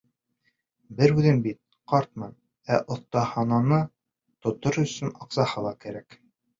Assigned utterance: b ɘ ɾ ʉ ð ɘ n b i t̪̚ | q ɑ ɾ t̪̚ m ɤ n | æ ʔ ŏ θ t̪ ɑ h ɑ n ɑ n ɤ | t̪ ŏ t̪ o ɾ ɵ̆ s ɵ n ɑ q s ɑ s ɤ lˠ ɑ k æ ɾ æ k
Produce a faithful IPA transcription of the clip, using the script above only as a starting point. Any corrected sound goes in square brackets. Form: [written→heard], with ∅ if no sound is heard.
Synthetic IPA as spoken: b ɘ ɾ ʉ ð ɘ n b i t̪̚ | q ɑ ɾ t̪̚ m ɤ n | æ ʔ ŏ θ t̪ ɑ h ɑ n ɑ n ɤ | t̪ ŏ t̪ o ɾ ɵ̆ s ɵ n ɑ q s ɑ [s→h] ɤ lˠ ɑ k æ ɾ æ k